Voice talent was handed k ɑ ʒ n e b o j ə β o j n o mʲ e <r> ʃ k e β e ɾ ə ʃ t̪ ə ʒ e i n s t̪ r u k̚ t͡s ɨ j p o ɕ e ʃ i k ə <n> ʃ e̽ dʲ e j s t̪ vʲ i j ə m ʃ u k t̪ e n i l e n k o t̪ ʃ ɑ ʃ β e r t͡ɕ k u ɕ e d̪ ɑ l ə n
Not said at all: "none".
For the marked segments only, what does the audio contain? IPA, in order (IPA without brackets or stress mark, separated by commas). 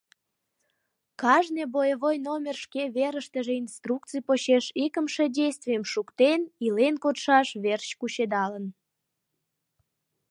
r, m